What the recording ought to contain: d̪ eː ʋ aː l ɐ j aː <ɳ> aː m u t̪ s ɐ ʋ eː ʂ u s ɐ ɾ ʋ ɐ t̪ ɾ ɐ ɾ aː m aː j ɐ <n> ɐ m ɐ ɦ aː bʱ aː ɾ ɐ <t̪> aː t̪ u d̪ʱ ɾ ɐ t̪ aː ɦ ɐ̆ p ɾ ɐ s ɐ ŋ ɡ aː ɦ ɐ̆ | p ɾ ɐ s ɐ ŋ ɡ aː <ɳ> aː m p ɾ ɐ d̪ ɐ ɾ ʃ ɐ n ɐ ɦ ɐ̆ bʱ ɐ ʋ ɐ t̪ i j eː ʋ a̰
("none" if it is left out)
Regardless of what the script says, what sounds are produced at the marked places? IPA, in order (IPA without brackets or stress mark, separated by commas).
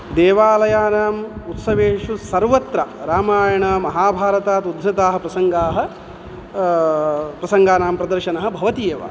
n, ɳ, t̪, n